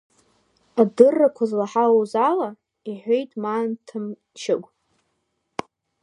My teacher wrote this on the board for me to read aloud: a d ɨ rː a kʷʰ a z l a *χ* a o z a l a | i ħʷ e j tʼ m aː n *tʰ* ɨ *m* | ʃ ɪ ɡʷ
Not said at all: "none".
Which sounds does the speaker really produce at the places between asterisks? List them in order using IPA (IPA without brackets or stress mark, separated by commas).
ħ, tʰ, m